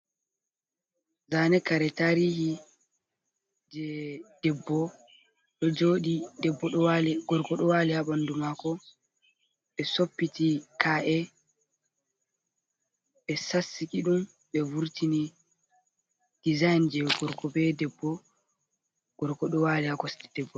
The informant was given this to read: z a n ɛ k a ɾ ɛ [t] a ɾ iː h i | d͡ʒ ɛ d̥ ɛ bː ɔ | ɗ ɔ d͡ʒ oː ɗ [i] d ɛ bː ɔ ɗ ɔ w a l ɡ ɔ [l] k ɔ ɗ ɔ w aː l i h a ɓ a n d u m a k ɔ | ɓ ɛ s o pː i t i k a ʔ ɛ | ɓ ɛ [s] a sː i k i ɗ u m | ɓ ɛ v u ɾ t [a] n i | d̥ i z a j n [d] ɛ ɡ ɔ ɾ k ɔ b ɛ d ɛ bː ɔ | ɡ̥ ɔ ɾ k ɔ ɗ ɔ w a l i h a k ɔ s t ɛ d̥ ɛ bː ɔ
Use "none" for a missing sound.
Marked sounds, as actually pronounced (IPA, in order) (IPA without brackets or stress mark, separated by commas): t, i, ɾ, s, i, d͡ʒ